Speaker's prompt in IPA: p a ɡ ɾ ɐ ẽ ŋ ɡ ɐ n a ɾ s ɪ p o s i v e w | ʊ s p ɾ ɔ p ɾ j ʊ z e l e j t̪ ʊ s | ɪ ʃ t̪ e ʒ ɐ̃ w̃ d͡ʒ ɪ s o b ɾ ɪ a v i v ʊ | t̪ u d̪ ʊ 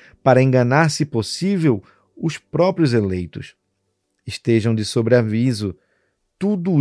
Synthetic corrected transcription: p a ɾ ɐ ẽ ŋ ɡ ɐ n a ɾ s ɪ p o s i v e w | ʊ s p ɾ ɔ p ɾ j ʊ z e l e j t̪ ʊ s | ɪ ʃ t̪ e ʒ ɐ̃ w̃ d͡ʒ ɪ s o b ɾ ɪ a v i z ʊ | t̪ u d̪ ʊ